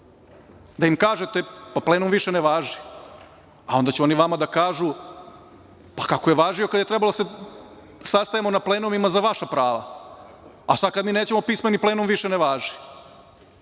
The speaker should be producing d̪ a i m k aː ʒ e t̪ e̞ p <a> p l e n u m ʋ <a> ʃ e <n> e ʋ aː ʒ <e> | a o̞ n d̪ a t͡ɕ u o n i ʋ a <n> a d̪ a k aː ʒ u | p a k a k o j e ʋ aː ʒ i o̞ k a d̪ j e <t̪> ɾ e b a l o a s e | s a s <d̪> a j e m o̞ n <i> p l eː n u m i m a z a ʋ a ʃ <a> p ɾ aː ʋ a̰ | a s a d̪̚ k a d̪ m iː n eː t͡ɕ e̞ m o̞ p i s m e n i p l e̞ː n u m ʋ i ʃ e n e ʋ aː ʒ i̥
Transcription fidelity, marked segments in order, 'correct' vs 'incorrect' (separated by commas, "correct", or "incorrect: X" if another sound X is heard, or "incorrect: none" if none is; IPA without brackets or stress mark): correct, incorrect: i, correct, incorrect: i, incorrect: m, correct, incorrect: t̪, incorrect: a, correct